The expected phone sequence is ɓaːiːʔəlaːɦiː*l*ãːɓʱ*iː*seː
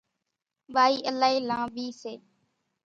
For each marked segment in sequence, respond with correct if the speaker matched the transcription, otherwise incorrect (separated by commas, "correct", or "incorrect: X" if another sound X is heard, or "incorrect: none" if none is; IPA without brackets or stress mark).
correct, correct